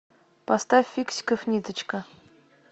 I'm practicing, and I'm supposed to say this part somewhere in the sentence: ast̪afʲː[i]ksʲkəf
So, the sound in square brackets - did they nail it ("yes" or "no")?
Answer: yes